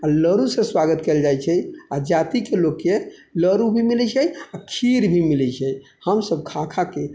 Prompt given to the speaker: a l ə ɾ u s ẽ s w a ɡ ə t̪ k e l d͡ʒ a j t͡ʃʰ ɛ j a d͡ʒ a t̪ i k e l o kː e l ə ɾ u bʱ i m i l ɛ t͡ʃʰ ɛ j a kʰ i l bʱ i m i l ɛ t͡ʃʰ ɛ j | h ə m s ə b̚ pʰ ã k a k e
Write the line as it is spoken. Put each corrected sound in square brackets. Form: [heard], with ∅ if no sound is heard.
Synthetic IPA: a l ə ɾ u s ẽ s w a ɡ ə t̪ k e l d͡ʒ a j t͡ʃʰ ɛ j a d͡ʒ a t̪ i k e l o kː e l ə ɾ u bʱ i m i l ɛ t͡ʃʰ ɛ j a kʰ i [ɾ] bʱ i m i l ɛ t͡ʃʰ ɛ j | h ə m s ə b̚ [kʰ] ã [kʰ] a k e